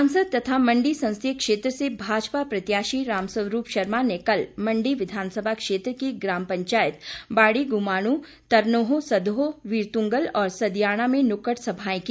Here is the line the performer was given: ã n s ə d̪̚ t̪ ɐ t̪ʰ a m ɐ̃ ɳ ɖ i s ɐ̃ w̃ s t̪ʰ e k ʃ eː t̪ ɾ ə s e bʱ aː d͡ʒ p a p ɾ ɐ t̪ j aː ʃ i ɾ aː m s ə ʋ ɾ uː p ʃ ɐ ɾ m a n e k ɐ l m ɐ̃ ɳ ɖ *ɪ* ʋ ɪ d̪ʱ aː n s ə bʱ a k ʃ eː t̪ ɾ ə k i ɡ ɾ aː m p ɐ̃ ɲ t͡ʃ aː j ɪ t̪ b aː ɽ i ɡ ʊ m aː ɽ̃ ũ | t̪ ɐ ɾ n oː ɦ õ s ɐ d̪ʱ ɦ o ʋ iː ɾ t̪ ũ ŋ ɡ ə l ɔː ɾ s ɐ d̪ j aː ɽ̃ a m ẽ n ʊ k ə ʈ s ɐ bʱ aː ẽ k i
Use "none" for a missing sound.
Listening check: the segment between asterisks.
i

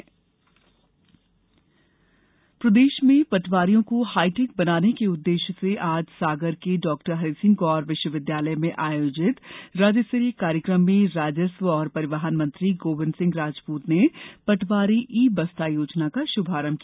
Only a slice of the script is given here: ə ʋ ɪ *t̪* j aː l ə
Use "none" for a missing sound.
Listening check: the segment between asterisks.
d̪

